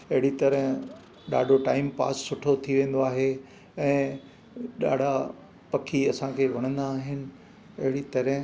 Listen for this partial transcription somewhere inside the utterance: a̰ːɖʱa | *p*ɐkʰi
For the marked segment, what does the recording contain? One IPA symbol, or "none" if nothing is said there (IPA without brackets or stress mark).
p